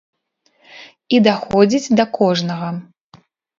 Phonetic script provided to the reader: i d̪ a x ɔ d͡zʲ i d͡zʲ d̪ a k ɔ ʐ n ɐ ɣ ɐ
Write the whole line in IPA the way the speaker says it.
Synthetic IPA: i d̪ a x ɔ d͡zʲ i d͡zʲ d̪ ɐ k ɔ ʐ n ɐ ɣ ɐ